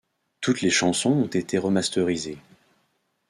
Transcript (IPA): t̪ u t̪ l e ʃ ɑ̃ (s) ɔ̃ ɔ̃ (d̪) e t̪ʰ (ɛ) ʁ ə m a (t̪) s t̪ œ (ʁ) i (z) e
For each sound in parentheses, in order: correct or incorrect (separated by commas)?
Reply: correct, incorrect, incorrect, incorrect, correct, correct